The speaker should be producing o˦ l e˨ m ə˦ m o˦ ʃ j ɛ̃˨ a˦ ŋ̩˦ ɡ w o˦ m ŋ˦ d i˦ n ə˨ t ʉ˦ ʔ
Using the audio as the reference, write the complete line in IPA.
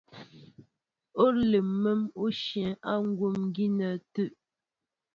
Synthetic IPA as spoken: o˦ l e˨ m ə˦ m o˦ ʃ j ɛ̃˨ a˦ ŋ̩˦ ɡ w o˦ m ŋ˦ ɡ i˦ n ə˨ t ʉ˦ ʔ

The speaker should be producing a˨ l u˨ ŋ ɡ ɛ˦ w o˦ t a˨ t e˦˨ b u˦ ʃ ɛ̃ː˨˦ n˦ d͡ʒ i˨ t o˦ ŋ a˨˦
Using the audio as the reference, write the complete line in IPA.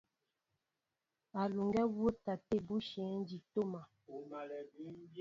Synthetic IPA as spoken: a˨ l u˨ ŋ ɡ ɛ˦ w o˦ t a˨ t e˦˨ b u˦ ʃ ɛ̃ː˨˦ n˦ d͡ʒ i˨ t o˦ m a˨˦

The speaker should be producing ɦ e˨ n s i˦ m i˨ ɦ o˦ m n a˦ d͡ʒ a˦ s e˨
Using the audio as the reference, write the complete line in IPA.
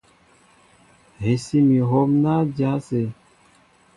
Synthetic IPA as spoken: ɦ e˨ s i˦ m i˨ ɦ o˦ m n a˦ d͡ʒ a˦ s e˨

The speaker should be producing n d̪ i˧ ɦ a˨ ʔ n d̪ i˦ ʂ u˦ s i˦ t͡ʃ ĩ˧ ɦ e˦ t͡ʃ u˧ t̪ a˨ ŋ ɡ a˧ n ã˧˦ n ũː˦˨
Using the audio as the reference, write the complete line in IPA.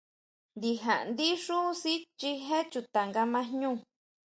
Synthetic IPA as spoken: n d̪ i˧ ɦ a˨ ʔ n d̪ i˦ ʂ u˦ s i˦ t͡ʃ i˧ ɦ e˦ t͡ʃ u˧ t̪ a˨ ŋ ɡ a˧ m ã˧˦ ɲ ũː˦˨

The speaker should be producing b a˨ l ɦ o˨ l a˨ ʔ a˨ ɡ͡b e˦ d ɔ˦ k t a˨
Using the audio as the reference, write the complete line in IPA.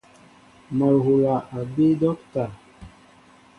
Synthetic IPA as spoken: m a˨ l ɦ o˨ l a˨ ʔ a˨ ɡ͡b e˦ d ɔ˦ k t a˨

